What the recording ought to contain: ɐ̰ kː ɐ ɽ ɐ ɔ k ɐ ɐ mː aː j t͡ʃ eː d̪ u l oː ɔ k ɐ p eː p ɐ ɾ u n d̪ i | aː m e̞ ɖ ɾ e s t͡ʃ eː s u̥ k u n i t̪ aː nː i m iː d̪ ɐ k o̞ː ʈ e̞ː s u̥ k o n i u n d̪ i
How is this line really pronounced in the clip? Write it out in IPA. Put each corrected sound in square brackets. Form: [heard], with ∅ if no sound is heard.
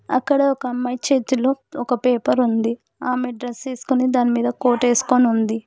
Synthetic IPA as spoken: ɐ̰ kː ɐ ɽ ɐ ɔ k ɐ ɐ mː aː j t͡ʃ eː [t̪] u l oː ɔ k ɐ p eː p ɐ ɾ u n d̪ i | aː m e̞ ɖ ɾ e s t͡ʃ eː s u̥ k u n i [d̪] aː [n] i m iː d̪ ɐ k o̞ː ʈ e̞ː s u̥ k o n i u n d̪ i